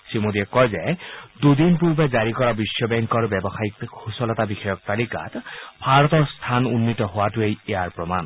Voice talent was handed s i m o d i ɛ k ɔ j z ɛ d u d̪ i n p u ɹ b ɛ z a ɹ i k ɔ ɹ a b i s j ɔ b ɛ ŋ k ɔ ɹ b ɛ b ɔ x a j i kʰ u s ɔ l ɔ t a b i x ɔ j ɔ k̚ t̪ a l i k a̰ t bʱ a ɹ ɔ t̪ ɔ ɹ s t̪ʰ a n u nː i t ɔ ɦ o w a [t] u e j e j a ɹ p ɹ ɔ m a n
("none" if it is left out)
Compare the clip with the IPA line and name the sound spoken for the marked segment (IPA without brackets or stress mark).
t